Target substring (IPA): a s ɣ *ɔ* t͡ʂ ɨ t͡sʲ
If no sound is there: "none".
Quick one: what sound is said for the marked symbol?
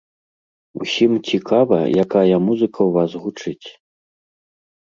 u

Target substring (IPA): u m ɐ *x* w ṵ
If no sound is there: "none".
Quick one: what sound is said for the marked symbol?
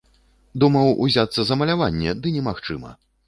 none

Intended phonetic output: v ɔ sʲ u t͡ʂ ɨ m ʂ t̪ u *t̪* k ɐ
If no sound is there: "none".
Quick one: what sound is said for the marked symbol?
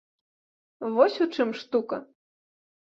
none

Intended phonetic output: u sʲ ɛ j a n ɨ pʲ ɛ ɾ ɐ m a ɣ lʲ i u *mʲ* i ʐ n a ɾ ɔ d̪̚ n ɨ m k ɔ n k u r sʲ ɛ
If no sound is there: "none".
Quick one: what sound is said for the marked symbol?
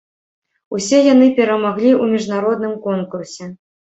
mʲ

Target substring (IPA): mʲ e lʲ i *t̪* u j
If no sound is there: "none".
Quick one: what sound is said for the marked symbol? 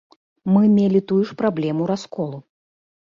t̪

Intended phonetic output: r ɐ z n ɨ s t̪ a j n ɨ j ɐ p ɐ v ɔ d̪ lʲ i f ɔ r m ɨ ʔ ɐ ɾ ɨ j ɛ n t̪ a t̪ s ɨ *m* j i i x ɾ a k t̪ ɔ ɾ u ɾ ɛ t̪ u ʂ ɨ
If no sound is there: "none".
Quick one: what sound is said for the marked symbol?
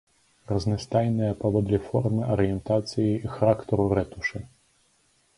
none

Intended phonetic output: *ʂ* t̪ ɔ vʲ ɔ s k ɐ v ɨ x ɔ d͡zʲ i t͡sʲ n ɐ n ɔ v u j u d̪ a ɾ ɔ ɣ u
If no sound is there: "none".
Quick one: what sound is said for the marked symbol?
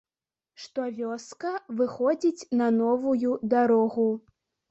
ʂ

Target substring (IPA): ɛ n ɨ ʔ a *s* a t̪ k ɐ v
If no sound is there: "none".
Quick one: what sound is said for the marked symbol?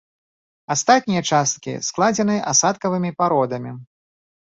s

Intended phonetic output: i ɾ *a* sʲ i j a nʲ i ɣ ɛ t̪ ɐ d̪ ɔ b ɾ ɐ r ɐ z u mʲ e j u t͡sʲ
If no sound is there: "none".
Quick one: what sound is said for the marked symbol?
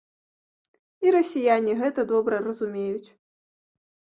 ɐ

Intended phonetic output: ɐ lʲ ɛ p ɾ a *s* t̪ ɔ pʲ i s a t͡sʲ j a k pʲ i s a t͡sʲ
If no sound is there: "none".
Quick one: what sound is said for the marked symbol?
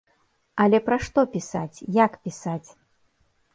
ʂ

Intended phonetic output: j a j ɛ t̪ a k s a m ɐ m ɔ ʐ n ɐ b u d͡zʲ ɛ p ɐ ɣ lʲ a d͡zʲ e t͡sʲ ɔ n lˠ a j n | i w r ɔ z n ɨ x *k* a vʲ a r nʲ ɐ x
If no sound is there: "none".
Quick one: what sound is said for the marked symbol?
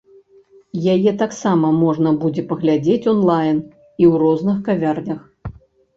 k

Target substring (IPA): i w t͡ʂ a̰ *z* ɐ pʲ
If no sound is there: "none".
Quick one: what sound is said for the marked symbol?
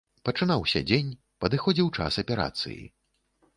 s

